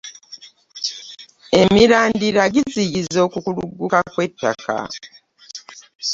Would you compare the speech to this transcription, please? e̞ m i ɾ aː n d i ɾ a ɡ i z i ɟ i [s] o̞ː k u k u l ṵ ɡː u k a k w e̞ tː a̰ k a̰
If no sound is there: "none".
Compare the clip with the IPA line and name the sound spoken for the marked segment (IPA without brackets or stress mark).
z